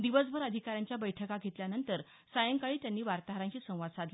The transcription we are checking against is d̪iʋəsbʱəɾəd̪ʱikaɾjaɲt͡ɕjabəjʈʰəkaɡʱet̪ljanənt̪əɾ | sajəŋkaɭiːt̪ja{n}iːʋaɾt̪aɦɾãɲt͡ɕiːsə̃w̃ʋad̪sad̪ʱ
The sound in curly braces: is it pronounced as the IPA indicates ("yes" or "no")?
no